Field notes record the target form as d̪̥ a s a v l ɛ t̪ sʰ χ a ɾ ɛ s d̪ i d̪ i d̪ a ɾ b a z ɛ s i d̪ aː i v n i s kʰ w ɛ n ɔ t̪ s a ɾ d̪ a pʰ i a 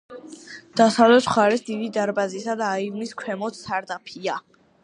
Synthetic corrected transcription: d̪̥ a s a v l ɛ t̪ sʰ χ a ɾ ɛ s d̪ i d̪ i d̪ a ɾ b a z i s a d̪ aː i v n i s kʰ w ɛ m ɔ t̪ s a ɾ d̪ a pʰ i a